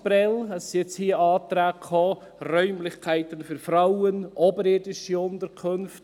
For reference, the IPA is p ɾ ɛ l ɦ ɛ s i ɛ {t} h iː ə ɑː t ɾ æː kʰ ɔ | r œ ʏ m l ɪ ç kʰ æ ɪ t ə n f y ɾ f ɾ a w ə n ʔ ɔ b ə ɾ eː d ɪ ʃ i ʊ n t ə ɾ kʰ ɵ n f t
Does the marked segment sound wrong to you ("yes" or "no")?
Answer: yes